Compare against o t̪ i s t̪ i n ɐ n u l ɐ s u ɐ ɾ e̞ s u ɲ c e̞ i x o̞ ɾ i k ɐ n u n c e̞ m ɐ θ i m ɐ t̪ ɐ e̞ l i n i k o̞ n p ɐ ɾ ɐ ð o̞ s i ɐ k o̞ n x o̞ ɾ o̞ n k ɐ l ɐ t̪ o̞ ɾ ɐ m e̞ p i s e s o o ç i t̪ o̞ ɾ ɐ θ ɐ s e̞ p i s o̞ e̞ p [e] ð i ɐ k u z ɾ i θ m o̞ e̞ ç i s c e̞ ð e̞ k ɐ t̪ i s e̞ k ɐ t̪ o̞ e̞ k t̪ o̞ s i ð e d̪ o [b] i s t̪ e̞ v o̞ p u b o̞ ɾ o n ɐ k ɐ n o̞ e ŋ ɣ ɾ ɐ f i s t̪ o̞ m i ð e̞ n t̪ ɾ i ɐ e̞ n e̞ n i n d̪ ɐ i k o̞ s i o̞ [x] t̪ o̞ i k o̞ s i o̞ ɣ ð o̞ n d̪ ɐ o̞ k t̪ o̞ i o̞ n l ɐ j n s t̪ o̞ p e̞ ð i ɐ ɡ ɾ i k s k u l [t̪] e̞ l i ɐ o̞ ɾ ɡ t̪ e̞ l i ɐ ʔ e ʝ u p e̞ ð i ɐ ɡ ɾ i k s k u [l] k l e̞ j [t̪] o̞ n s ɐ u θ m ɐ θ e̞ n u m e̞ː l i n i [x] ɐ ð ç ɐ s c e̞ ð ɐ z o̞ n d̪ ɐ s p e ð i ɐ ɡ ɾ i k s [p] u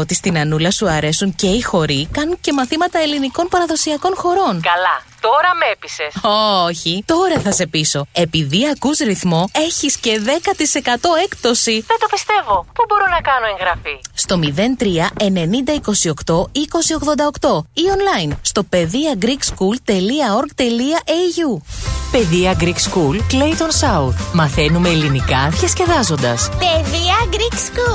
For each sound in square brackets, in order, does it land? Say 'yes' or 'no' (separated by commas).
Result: no, no, no, yes, yes, yes, no, no